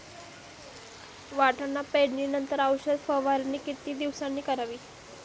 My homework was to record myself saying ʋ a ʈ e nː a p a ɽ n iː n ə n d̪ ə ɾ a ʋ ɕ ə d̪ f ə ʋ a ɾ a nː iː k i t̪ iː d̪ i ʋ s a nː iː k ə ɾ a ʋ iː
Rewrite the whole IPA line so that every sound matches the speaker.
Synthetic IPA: ʋ a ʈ a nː a p e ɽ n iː n ə n t̪ ə ɾ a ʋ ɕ ə d̪ f ə ʋ a ɾ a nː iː k i t̪ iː d̪ i ʋ s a nː iː k ə ɾ a ʋ iː